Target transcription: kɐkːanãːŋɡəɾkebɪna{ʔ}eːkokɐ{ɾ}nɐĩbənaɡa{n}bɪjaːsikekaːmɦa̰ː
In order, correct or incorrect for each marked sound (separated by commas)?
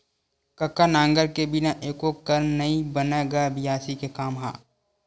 correct, correct, incorrect